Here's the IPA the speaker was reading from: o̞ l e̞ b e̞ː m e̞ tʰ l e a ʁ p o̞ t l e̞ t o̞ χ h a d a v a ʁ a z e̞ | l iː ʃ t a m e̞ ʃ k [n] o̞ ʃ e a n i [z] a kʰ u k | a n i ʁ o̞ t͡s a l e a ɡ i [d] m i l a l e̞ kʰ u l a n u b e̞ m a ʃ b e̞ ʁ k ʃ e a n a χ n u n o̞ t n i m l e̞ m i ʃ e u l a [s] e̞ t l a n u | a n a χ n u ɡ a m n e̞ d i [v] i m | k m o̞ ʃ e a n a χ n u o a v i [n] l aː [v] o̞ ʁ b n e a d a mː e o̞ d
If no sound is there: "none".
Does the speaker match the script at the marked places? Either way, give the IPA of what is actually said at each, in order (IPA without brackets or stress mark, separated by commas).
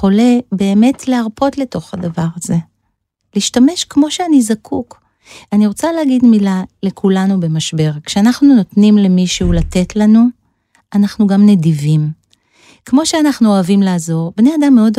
m, z, d, t, v, m, z